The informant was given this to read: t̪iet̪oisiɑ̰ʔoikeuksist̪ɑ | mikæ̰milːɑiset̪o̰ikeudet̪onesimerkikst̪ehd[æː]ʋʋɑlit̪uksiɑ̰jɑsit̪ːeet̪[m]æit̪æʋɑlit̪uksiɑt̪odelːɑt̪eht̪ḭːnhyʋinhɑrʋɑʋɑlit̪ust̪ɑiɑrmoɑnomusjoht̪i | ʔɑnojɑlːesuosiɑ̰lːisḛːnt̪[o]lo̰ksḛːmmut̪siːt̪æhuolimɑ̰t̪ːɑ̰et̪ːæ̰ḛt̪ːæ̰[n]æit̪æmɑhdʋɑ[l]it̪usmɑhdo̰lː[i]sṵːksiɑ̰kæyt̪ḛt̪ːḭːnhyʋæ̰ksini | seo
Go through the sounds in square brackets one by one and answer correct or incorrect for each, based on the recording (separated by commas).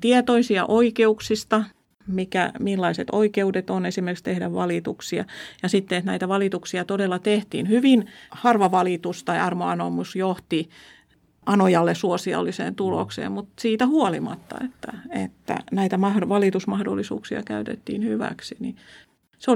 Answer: incorrect, incorrect, incorrect, correct, correct, correct